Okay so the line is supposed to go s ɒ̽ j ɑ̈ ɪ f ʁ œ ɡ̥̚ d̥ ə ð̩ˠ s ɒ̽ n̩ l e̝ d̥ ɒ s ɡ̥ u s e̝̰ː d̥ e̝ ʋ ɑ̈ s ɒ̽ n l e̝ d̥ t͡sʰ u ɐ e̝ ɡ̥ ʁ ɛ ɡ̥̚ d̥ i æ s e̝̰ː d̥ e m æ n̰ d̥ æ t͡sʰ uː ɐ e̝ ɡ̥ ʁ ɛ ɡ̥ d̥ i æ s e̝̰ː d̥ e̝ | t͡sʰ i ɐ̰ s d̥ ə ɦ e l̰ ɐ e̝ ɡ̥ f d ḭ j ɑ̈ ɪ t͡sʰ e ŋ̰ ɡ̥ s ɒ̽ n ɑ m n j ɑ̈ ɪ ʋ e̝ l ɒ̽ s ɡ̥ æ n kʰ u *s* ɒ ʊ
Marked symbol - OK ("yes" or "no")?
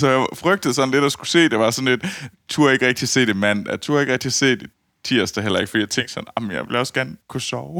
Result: yes